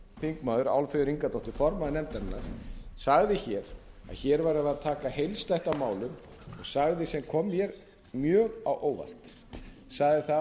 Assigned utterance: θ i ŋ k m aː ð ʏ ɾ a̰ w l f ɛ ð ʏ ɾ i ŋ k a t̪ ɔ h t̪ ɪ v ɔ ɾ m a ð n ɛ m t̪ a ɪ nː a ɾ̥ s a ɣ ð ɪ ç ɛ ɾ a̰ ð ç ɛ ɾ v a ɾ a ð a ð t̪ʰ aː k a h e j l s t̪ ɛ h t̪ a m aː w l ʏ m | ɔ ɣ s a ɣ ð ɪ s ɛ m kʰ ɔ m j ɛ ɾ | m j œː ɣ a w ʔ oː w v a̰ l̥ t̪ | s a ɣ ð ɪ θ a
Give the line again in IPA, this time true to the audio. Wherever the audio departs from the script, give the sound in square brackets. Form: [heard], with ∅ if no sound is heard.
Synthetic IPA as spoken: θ i ŋ k m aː ð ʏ ɾ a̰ w l f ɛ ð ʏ ɾ i ŋ k a t̪ ɔ h t̪ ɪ [f] ɔ ɾ m a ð n ɛ m t̪ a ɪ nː a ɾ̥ s a ɣ ð ɪ ç ɛ ɾ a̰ ð ç ɛ ɾ v a ɾ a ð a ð t̪ʰ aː k a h e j l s t̪ ɛ h t̪ a m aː w l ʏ m | ɔ ɣ s a ɣ ð ɪ s ɛ m kʰ ɔ m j ɛ ɾ | m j œː ɣ a w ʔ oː w v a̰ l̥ t̪ | s a ɣ ð ɪ θ a